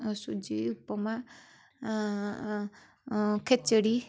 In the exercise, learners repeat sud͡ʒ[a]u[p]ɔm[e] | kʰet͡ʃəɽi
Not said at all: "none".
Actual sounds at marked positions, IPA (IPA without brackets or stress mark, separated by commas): i, p, a